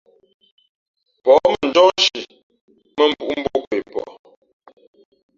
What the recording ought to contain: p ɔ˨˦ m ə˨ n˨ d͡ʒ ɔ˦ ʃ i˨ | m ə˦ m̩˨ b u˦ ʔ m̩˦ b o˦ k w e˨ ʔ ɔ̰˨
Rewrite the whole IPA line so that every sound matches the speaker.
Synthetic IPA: p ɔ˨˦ m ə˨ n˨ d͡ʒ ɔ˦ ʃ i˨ | m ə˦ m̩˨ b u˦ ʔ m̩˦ b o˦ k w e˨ p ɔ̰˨